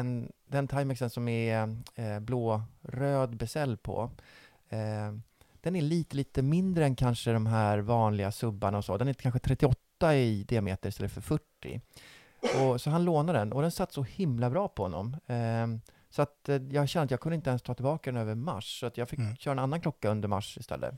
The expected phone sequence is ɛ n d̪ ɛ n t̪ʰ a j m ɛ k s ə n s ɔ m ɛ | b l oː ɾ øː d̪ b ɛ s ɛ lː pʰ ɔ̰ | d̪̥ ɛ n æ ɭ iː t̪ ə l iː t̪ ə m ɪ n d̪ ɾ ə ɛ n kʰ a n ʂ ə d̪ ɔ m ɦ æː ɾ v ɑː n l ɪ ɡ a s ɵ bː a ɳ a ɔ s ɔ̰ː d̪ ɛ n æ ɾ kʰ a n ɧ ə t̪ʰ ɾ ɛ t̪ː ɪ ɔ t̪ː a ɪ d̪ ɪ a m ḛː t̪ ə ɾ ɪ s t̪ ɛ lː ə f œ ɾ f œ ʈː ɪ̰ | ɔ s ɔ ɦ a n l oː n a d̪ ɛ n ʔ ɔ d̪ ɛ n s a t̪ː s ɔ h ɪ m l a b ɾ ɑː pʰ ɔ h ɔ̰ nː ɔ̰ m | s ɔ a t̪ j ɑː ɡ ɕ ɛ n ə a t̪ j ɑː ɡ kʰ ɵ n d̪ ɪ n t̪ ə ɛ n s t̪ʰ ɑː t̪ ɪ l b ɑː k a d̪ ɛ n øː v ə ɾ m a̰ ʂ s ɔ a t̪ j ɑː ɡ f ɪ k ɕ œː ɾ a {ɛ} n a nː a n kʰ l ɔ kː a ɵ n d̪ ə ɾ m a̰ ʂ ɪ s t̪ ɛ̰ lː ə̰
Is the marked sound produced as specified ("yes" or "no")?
yes